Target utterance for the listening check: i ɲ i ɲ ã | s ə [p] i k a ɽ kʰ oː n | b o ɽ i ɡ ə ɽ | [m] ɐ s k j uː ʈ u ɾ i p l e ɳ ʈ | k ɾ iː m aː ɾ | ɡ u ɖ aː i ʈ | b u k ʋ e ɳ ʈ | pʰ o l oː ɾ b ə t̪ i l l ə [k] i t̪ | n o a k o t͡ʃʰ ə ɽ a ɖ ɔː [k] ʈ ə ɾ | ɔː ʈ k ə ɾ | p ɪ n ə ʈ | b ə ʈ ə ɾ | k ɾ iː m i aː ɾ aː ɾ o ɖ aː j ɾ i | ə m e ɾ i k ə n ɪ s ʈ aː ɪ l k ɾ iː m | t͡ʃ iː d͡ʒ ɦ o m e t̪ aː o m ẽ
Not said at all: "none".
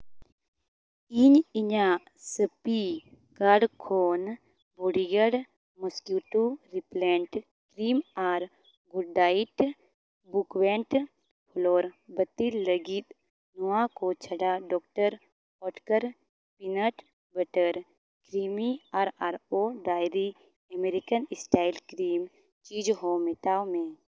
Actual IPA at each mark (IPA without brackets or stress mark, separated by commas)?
p, m, ɡ, k